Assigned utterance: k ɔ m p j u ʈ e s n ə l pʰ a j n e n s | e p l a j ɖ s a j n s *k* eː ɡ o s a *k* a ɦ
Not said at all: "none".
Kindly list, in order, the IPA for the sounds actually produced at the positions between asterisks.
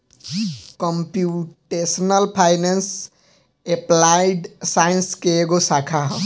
k, kʰ

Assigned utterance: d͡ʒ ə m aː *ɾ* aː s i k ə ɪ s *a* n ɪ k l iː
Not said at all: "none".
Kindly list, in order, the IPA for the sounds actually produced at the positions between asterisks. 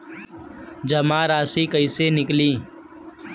ɾ, e

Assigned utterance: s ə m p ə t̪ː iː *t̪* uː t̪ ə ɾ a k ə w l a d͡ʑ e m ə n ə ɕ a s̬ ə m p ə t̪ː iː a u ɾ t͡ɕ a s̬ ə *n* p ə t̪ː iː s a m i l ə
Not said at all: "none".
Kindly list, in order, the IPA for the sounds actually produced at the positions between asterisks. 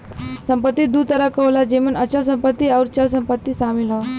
d̪, m

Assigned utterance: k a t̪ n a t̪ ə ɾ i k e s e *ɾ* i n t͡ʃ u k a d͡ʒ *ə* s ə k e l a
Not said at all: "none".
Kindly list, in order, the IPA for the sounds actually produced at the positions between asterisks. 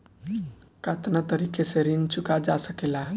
ɾ, a

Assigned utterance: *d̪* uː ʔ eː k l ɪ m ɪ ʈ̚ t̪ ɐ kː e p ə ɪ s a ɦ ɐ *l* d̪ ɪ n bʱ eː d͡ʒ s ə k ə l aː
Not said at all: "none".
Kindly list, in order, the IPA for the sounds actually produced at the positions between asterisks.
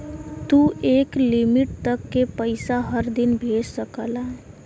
t̪, ɾ

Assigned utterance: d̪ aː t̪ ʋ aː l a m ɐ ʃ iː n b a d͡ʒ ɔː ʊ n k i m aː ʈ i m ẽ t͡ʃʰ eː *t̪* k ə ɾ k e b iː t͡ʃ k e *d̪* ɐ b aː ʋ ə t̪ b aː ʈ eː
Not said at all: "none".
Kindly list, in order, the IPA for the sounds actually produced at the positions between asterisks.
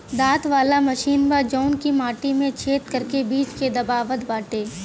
t̪, d̪

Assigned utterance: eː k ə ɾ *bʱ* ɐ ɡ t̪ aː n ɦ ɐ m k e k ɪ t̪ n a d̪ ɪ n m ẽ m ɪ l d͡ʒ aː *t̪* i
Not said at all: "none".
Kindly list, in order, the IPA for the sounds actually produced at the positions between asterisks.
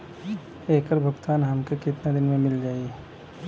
bʱ, none

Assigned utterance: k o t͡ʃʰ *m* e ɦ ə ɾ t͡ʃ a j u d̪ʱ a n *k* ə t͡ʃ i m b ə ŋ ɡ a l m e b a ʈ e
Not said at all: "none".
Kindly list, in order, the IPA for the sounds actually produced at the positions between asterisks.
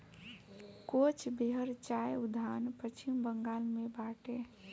b, p

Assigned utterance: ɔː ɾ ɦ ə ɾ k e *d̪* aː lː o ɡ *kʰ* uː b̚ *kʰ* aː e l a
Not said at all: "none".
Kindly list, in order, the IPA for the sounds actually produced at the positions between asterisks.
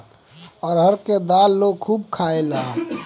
d̪, kʰ, kʰ

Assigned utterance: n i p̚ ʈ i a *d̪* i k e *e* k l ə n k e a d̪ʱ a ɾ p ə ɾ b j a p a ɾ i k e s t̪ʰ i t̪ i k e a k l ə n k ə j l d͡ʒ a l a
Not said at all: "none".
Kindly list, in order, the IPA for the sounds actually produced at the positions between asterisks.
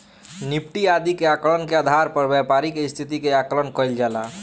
d̪, a

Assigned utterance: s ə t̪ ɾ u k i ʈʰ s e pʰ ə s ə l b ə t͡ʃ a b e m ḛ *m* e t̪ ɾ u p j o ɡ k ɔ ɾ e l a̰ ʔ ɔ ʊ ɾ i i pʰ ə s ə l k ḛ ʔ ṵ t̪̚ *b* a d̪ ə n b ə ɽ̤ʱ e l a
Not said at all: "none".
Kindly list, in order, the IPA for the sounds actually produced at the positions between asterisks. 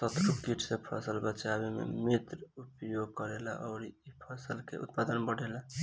m, p

